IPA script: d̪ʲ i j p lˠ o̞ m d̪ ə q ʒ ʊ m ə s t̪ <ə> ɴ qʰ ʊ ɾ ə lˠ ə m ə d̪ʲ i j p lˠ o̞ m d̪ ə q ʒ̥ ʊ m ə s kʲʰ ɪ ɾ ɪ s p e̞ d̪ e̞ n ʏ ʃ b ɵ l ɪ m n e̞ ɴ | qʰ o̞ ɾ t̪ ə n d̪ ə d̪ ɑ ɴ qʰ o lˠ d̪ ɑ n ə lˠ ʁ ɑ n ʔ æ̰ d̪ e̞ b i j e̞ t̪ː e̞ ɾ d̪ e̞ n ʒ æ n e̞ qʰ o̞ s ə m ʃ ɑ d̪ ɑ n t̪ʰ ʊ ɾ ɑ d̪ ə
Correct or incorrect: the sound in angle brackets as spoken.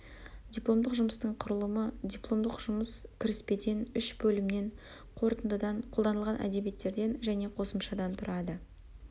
correct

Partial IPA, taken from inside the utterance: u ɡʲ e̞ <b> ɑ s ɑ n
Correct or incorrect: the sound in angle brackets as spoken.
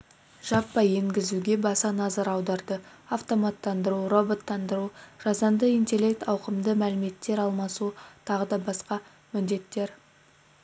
correct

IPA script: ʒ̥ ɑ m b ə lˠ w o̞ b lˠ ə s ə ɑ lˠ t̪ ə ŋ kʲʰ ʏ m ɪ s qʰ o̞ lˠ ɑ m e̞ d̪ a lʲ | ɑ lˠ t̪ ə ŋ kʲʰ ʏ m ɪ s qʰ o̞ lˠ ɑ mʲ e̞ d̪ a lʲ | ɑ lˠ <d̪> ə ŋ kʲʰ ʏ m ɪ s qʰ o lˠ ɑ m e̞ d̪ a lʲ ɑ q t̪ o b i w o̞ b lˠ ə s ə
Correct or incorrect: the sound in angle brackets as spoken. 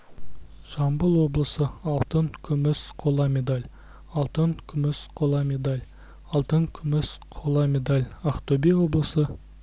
incorrect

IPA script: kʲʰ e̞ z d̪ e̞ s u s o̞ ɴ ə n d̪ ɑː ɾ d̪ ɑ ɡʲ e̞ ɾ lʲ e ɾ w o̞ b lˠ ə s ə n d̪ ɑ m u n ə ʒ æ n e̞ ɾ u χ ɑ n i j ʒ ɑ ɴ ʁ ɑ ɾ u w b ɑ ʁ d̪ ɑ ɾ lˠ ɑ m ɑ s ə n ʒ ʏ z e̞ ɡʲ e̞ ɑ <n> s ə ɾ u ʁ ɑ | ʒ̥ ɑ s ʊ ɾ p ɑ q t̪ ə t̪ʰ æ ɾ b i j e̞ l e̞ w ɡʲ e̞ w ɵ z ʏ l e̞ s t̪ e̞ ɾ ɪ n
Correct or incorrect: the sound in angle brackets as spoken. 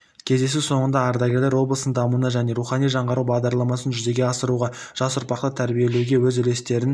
incorrect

